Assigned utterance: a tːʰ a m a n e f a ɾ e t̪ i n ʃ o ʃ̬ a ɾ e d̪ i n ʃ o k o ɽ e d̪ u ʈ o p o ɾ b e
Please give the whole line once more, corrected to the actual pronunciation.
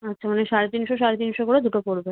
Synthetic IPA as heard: a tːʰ a m a n e ʃ a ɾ e t̪ i n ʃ o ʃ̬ a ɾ e t̪ i n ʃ o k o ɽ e d̪ u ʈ o p o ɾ b e